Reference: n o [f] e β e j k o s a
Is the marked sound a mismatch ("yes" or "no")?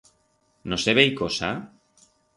yes